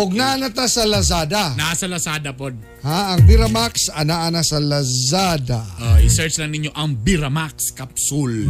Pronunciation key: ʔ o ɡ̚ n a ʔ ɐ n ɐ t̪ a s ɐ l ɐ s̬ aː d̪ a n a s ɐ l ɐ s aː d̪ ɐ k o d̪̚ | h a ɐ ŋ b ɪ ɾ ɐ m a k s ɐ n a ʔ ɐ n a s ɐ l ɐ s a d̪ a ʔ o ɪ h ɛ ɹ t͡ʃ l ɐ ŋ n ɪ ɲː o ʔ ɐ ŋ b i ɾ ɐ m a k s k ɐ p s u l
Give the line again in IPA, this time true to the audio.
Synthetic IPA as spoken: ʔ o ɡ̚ n a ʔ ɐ n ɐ t̪ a s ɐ l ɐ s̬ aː d̪ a n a s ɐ l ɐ s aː d̪ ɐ p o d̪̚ | h a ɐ ŋ b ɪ ɾ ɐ m a k s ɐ n a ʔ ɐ n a s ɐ l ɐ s a d̪ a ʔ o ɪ s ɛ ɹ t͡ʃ l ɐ ŋ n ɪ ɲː o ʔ ɐ ŋ b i ɾ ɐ m a k s k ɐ p s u l